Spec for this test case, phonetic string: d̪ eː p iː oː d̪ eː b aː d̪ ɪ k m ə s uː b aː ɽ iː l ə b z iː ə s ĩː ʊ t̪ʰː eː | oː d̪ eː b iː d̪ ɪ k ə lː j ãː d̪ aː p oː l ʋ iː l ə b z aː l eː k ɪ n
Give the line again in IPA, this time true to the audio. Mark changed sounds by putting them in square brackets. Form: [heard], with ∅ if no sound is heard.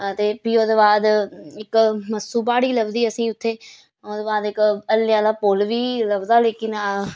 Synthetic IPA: [t̪] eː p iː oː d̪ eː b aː d̪ ɪ k m ə s uː b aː ɽ iː l ə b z iː ə s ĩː ʊ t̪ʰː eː | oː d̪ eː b [aː] d̪ ɪ k ə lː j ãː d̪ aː p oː l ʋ iː l ə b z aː l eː k ɪ n